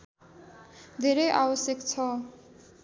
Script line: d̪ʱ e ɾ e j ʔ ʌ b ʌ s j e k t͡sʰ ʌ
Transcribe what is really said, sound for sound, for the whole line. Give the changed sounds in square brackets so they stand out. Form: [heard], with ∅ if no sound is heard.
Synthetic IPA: d̪ʱ e ɾ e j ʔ [a] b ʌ s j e k t͡sʰ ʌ